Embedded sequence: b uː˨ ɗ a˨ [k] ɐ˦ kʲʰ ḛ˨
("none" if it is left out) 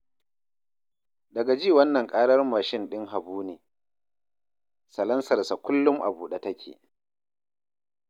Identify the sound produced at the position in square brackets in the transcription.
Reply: t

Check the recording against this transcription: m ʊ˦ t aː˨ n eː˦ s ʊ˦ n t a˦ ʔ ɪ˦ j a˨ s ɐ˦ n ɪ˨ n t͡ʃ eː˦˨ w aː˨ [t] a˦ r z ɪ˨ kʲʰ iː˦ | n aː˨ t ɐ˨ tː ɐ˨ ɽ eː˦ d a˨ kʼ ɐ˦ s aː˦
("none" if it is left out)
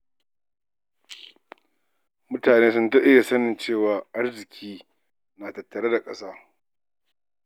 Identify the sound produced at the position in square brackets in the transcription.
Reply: ʔ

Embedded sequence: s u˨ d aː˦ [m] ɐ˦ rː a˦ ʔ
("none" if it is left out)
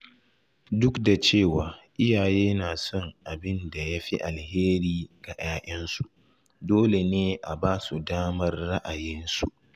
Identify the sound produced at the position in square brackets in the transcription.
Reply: m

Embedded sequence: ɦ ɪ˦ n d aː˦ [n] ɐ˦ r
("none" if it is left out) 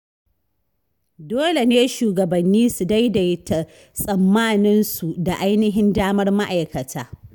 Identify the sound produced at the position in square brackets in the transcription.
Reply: m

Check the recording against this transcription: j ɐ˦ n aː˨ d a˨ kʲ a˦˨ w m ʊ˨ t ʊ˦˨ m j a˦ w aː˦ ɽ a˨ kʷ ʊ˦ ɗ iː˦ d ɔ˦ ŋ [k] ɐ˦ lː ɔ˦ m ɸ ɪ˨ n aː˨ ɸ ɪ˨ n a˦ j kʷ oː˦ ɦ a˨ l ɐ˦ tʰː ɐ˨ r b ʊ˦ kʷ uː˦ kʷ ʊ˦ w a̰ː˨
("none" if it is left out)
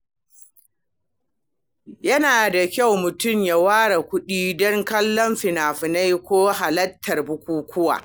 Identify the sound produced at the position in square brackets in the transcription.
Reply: k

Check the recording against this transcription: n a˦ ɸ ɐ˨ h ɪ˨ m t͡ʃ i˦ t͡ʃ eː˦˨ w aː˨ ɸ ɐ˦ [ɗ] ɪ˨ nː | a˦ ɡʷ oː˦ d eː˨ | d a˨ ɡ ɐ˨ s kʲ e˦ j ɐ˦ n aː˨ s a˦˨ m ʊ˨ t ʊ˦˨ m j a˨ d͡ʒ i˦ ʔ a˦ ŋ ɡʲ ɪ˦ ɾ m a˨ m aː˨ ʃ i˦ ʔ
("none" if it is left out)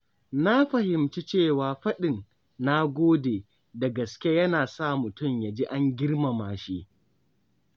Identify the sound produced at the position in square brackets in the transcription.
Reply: ɗ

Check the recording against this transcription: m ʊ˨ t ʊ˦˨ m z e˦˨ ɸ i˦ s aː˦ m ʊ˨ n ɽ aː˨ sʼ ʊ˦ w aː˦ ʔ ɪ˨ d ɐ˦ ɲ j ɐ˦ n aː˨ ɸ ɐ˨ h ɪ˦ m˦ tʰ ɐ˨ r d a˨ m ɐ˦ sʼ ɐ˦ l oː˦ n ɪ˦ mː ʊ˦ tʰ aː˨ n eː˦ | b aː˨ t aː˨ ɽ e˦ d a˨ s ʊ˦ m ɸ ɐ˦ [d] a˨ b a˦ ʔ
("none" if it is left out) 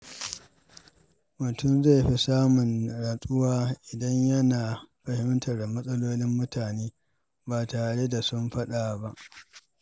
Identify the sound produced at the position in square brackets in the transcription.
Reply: ɗ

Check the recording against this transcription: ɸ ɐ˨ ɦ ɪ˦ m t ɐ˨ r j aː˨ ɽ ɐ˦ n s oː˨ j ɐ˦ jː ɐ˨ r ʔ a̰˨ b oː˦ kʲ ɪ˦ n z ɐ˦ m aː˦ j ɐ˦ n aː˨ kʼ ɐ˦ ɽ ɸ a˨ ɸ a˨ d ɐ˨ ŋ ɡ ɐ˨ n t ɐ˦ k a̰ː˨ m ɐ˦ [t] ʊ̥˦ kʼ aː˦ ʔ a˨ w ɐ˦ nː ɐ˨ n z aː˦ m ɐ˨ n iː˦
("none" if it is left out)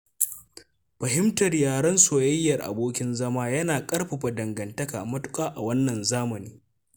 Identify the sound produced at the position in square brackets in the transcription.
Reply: t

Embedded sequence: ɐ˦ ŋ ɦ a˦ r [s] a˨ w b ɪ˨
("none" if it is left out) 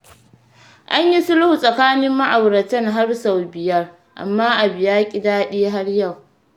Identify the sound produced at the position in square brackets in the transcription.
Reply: s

